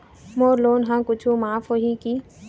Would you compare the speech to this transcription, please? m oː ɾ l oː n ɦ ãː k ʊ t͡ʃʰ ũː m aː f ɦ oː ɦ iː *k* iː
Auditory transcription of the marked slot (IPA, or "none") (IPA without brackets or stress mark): k